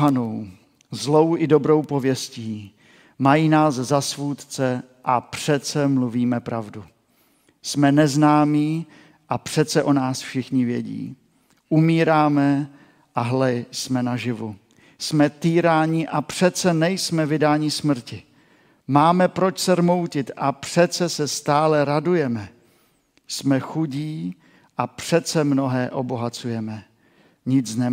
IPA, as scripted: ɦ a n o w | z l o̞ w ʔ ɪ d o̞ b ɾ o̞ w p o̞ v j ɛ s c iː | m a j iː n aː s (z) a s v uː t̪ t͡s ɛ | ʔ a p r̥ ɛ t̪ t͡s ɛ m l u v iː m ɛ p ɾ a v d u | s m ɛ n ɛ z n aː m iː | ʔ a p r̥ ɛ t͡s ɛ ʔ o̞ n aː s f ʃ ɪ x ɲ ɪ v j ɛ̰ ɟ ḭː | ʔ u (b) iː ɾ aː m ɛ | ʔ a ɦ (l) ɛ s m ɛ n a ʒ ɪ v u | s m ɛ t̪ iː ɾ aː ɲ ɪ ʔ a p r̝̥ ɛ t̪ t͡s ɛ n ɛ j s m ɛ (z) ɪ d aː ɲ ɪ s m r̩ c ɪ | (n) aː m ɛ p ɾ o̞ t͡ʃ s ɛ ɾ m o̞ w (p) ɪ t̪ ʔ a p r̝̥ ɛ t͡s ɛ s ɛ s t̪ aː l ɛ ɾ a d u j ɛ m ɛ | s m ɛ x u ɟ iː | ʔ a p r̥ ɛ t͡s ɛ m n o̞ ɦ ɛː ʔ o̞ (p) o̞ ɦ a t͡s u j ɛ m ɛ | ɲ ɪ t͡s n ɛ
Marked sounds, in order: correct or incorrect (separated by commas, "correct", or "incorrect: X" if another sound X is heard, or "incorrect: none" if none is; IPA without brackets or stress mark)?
correct, incorrect: m, correct, incorrect: v, incorrect: m, incorrect: c, incorrect: b